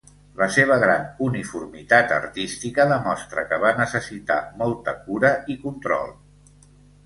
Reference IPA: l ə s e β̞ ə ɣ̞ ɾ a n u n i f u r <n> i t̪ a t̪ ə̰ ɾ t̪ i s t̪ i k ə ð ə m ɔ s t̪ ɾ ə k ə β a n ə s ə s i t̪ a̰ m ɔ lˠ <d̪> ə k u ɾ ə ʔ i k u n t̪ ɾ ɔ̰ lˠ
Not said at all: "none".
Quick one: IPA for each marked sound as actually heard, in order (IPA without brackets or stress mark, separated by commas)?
m, t̪